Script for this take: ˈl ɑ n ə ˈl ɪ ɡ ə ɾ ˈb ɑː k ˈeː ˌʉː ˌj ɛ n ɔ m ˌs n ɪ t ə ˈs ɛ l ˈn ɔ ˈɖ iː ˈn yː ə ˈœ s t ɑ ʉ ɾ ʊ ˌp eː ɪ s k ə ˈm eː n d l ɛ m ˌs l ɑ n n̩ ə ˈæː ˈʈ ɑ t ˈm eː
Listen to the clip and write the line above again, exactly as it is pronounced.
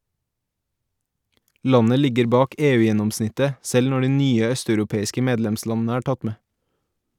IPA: ˈl ɑ n ə ˈl ɪ ɡ ə ɾ ˈb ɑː k ˈeː ˌʉː ˌj ɛ n ɔ m ˌs n ɪ t ə ˈs ɛ l ˈn ɔ ˈɖ iː ˈn yː ə ˈœ s t ɑ ʉ ɾ ʊ ˌp eː ɪ s k ə ˈm eː d l ɛ m ˌs l ɑ n n̩ ə ˈæː ˈʈ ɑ t ˈm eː